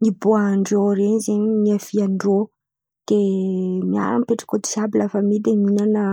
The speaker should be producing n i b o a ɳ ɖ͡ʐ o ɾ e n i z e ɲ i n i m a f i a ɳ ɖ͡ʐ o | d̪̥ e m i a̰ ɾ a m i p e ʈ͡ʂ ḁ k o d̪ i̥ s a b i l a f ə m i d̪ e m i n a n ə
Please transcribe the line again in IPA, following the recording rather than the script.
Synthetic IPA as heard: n i b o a ɳ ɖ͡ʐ o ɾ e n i z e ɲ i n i a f i a ɳ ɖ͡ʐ o | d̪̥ e m i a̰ ɾ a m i p e ʈ͡ʂ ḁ k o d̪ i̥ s a b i l a f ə m i d̪ e m i n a n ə